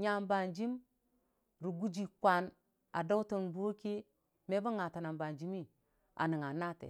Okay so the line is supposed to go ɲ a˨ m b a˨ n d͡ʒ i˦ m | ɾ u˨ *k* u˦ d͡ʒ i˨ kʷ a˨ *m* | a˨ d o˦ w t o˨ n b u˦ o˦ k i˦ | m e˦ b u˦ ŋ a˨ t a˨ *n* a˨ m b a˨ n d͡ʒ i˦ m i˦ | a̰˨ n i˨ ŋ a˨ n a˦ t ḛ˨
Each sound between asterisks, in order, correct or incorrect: incorrect: ɡ, incorrect: n, correct

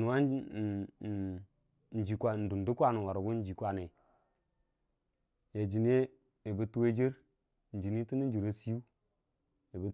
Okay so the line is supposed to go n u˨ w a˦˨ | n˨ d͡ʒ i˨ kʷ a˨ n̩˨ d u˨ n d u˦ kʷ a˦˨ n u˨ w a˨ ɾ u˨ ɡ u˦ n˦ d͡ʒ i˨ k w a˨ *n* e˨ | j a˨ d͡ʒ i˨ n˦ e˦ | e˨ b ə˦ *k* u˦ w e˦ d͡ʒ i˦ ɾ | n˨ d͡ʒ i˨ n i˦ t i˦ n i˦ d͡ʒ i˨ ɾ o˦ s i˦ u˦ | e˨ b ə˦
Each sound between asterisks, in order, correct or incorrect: correct, incorrect: t

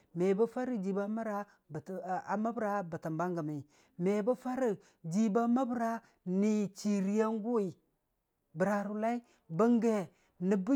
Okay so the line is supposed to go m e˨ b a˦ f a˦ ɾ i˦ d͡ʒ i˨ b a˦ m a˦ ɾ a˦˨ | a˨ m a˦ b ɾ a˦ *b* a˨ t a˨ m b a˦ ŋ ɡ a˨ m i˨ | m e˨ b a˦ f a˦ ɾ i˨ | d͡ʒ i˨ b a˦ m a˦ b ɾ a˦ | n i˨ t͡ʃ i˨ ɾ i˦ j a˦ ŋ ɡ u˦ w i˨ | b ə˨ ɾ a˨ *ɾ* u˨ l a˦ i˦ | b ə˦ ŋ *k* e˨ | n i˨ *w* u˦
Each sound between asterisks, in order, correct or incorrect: correct, correct, incorrect: ɡ, incorrect: b

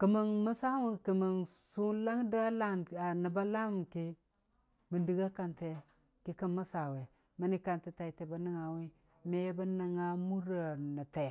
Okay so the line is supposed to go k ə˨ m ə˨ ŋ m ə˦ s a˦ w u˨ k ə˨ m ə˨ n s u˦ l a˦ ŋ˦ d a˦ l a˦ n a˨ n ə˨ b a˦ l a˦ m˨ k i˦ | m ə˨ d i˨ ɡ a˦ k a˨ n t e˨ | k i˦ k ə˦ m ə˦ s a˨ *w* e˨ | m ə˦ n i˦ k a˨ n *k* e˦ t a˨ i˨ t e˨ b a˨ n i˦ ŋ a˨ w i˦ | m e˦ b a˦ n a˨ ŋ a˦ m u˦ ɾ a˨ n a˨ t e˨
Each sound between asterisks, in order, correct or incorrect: correct, incorrect: t

